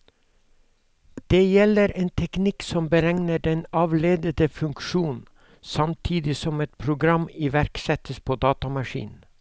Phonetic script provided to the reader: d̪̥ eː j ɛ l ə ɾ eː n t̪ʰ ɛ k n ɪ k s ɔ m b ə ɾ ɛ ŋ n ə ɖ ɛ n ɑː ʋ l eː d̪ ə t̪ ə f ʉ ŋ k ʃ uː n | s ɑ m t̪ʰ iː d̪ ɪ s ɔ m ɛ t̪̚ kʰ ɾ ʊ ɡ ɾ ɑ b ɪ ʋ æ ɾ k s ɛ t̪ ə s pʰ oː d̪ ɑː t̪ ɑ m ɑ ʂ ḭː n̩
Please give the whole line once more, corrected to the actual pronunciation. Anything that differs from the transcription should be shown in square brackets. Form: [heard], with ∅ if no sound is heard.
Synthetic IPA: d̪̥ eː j ɛ l ə ɾ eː n t̪ʰ ɛ k n ɪ k s ɔ m b ə ɾ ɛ ŋ n ə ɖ ɛ n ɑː ʋ l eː d̪ ə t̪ ə f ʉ ŋ k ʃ uː n | s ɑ m t̪ʰ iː d̪ ɪ s ɔ m ɛ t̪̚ [pʰ] ɾ ʊ ɡ ɾ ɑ [m] ɪ ʋ æ ɾ k s ɛ t̪ ə s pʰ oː d̪ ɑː t̪ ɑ m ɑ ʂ ḭː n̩